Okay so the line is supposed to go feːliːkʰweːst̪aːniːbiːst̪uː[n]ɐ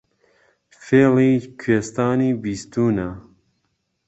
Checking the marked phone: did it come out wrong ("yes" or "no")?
no